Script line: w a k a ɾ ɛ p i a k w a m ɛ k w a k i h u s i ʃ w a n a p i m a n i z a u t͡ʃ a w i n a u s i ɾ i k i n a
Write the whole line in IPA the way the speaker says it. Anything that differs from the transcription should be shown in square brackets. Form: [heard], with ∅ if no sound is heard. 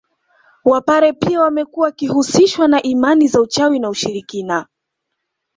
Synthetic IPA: w a [p] a ɾ ɛ p i a [∅] w a m ɛ k [u] a k i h u s i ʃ w a n a [ʔ] i m a n i z a u t͡ʃ a w i n a u [ʃ] i ɾ i k i n a